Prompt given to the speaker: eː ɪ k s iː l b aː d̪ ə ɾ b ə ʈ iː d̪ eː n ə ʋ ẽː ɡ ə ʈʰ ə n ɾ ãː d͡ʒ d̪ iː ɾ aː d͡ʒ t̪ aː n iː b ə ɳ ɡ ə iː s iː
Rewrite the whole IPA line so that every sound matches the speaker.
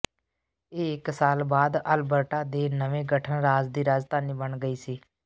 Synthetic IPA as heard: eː ɪ k s aː l b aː d̪ ə l b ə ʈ aː d̪ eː n ə ʋ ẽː ɡ ə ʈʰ ə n ɾ aː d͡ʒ d̪ iː ɾ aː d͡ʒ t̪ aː n iː b ə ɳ ɡ ə iː s iː